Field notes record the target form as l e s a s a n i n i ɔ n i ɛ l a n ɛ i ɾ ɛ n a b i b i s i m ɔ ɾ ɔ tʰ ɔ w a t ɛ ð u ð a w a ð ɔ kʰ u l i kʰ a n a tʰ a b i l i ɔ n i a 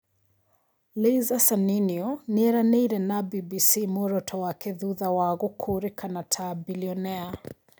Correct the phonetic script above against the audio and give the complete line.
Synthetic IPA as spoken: l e z a s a n i n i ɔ n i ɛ ɾ a n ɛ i ɾ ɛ n a b i b i s i m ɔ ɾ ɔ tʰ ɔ w a k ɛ ð u ð a w a ɣ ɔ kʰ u ɾ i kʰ a n a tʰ a b i l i ɔ n ɛ a